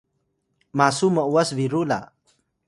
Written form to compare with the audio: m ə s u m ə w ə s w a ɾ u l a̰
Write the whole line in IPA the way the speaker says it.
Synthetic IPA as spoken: m a s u m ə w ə s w i ɾ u l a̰